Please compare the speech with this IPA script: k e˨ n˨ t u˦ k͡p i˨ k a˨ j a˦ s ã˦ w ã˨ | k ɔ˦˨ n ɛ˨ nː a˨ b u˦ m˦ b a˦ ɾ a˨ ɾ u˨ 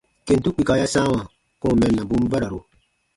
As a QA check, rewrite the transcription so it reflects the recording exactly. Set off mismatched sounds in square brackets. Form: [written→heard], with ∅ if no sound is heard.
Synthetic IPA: k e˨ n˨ t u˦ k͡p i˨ k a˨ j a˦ s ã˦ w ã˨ | k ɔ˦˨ [n→m] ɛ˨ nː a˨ b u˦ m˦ b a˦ ɾ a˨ ɾ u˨

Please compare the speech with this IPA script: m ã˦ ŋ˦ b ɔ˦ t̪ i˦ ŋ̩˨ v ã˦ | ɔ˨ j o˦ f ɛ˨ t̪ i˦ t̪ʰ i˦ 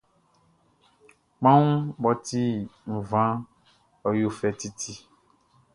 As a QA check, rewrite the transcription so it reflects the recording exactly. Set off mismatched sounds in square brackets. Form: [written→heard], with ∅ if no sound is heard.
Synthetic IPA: m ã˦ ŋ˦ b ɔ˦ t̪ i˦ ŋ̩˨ v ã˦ | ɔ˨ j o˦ f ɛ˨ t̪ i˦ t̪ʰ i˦

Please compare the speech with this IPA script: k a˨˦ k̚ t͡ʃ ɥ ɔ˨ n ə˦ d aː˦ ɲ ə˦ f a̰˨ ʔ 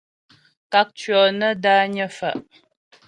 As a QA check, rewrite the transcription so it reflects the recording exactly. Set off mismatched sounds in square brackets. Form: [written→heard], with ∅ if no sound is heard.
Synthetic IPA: k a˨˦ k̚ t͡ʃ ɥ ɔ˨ n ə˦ d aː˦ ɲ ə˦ f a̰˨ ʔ

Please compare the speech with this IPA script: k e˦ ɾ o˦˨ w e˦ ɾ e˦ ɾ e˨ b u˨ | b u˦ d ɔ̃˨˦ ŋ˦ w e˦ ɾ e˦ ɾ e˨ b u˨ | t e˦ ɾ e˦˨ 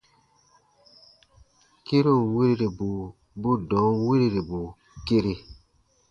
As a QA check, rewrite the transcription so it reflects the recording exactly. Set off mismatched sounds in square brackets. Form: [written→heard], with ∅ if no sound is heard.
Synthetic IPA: k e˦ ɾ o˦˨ w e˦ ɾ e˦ ɾ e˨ b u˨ | b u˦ d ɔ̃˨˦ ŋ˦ w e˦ ɾ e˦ ɾ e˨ b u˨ | [t→k] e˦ ɾ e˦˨

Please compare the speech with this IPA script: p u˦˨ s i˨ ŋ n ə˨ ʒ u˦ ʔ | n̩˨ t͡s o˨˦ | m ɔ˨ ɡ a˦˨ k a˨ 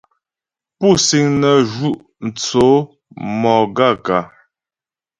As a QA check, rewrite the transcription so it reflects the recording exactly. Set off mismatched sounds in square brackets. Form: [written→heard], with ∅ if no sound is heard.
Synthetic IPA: p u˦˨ s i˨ ŋ n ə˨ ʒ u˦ ʔ | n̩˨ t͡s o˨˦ | m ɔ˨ ɡ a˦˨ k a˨

